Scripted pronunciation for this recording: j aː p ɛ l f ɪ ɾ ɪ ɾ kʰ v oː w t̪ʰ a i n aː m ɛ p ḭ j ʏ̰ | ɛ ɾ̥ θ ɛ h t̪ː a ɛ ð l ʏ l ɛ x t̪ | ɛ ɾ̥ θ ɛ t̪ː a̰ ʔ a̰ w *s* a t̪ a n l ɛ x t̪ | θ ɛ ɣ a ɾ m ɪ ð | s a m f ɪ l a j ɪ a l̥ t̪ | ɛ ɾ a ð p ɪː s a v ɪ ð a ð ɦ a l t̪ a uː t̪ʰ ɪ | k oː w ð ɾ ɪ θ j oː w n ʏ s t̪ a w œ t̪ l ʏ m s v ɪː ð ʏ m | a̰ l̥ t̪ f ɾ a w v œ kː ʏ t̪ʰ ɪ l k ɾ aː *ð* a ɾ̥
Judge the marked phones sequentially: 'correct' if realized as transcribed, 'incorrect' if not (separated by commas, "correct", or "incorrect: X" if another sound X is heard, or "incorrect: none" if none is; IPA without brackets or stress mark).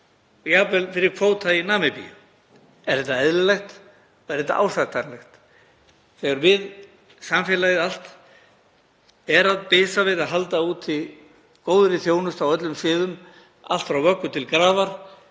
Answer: correct, incorrect: v